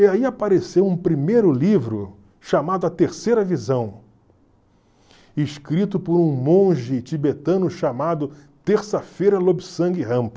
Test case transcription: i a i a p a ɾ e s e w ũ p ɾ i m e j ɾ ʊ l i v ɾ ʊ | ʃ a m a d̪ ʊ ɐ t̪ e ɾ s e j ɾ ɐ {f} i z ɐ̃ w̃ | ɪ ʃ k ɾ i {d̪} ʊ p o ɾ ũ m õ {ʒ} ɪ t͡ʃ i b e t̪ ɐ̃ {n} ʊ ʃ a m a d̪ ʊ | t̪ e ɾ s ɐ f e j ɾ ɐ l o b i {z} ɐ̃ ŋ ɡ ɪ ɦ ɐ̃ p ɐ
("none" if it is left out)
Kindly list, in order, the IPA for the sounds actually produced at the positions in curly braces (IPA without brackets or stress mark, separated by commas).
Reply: v, t̪, ʒ, n, s